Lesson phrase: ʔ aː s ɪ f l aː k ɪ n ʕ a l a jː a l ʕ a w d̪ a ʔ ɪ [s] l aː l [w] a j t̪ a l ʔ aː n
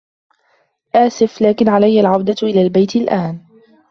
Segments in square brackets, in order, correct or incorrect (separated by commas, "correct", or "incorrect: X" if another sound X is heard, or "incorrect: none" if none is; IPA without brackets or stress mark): incorrect: none, incorrect: b